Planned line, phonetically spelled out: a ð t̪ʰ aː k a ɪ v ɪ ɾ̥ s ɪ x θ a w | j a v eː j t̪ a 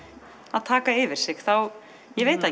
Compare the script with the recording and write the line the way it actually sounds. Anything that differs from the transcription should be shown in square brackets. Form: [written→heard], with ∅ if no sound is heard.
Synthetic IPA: a ð t̪ʰ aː k a ɪ v ɪ ɾ̥ s ɪ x θ a w | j [a→ɛ] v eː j t̪ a